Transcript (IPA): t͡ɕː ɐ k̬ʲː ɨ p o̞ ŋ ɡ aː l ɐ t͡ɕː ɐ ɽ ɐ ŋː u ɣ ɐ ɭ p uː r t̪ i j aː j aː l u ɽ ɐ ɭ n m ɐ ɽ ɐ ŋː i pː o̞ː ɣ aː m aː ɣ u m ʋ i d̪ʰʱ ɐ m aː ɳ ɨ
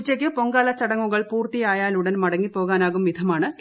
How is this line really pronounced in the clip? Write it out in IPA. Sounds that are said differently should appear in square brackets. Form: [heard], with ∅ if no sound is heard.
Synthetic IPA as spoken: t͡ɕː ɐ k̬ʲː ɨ p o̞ ŋ ɡ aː l ɐ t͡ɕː ɐ ɽ ɐ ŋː u ɣ ɐ ɭ p uː r t̪ i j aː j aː l u ɽ ɐ [∅] n m ɐ ɽ ɐ ŋː i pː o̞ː ɣ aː [n] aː ɣ u m ʋ i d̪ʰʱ ɐ m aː ɳ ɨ